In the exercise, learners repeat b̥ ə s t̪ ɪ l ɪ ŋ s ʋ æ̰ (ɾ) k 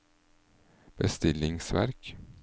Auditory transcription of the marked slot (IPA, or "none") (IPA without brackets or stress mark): ɾ